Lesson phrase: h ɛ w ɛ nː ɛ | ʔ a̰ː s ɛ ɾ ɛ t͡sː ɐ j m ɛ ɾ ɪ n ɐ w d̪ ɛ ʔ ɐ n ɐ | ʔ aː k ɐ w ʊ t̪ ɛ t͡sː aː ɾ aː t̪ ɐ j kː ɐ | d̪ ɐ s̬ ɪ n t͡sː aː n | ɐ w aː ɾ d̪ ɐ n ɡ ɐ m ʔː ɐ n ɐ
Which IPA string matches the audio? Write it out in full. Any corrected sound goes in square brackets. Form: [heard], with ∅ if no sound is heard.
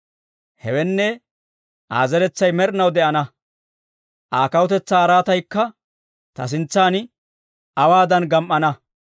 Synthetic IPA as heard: h ɛ w ɛ nː ɛ | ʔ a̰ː [z] ɛ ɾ ɛ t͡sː ɐ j m ɛ ɾ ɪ n ɐ w d̪ ɛ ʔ ɐ n ɐ | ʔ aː k ɐ w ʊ t̪ ɛ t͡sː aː ɾ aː t̪ ɐ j kː ɐ | [t̪] ɐ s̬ ɪ n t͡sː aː n | ɐ w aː [∅] d̪ ɐ n ɡ ɐ m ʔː ɐ n ɐ